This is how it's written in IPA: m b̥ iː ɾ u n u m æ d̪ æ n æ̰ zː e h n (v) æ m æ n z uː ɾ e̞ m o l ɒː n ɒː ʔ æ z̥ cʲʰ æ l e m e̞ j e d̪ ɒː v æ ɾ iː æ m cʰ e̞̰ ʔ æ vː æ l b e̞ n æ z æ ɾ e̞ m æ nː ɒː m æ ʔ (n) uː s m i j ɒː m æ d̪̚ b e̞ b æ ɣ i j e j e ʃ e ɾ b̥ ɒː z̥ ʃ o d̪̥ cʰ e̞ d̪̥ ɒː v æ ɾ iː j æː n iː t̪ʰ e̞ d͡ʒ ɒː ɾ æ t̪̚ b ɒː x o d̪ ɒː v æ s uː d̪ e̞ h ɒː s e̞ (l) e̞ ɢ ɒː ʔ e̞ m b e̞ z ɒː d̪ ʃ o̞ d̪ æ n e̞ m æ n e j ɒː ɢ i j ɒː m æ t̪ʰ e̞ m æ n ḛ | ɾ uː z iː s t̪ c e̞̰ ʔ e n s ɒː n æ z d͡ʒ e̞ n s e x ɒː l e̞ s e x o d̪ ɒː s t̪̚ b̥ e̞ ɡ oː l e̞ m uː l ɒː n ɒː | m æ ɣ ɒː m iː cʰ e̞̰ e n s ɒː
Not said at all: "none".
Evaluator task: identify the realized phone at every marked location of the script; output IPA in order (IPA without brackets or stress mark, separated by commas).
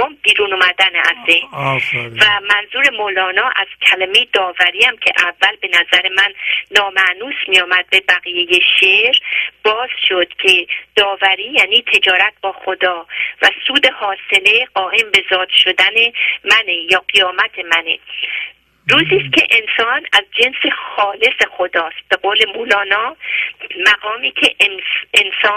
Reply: v, n, l